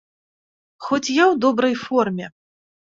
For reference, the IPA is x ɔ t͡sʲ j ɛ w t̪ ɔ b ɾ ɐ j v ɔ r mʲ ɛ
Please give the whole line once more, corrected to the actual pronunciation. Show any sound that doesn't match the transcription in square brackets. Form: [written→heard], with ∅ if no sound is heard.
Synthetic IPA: x ɔ t͡sʲ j [ɛ→a] w [t̪→d̪] ɔ b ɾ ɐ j [v→f] ɔ r mʲ ɛ